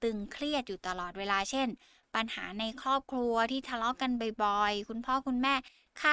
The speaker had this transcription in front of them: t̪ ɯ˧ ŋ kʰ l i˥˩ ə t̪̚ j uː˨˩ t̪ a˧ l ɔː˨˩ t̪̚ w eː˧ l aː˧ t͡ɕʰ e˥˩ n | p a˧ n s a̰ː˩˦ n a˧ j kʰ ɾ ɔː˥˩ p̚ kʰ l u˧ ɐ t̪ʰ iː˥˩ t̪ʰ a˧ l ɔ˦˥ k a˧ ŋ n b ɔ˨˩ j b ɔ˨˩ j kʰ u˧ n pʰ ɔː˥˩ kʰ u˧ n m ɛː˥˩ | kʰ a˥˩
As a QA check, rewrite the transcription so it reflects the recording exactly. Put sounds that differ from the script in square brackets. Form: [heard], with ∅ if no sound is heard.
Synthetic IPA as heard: t̪ ɯ˧ ŋ kʰ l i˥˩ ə t̪̚ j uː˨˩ t̪ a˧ l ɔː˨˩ t̪̚ w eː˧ l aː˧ t͡ɕʰ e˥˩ n | p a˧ n [h] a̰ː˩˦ n a˧ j kʰ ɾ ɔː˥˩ p̚ kʰ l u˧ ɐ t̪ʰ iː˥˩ t̪ʰ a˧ l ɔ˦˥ k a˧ [∅] n b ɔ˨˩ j b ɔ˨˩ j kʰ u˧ n pʰ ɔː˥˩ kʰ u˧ n m ɛː˥˩ | kʰ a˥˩